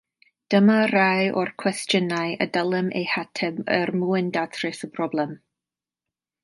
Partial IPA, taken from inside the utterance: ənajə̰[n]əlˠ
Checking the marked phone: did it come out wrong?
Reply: yes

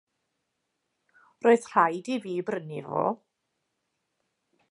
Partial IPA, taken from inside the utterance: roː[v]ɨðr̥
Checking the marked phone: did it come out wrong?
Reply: yes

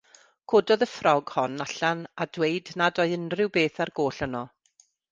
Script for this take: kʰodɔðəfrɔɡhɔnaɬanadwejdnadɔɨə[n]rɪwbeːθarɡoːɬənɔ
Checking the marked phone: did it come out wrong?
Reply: no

